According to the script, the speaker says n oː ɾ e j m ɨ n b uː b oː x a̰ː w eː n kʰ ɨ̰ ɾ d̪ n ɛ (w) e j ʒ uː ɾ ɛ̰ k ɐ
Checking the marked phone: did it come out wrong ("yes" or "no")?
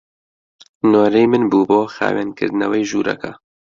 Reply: no